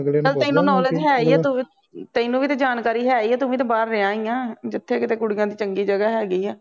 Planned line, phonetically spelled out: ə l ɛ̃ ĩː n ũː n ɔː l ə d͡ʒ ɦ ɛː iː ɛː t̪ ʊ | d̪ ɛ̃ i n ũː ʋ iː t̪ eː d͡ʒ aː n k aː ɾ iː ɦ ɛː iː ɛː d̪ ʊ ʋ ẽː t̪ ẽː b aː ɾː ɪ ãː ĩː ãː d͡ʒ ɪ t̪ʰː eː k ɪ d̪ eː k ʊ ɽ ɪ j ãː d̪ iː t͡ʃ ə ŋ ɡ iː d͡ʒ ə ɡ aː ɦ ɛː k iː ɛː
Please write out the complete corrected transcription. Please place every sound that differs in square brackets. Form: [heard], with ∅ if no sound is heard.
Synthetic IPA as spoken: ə l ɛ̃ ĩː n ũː n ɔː l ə d͡ʒ ɦ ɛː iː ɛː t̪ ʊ | [t̪] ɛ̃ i n ũː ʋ iː t̪ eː d͡ʒ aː n k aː ɾ iː ɦ ɛː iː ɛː [t̪] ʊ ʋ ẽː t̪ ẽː b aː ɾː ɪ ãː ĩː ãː d͡ʒ ɪ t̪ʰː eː k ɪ [t̪] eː k ʊ ɽ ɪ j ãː d̪ iː t͡ʃ ə ŋ ɡ iː d͡ʒ ə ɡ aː ɦ ɛː [ɡ] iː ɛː